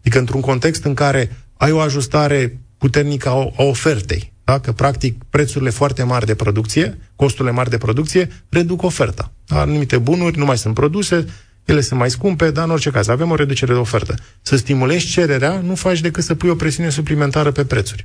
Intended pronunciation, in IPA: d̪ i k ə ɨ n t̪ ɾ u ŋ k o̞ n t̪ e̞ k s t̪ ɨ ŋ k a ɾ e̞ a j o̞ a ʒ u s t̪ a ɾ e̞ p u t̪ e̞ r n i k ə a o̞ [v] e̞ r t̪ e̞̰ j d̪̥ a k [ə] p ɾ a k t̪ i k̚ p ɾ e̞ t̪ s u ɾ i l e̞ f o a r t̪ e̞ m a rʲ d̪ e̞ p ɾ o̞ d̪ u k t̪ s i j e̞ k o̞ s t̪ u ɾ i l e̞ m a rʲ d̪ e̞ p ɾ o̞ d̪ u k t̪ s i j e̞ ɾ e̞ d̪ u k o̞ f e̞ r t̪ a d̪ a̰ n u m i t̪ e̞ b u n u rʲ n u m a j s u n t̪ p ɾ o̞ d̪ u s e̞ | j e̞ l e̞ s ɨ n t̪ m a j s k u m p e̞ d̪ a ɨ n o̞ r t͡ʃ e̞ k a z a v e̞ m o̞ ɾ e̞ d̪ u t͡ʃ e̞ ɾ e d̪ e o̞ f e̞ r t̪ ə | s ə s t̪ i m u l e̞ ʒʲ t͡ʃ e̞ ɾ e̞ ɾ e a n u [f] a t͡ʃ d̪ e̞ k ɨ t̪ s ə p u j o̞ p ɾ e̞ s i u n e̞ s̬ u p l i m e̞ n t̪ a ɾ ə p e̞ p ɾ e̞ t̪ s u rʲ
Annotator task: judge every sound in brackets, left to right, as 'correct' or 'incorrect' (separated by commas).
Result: incorrect, correct, correct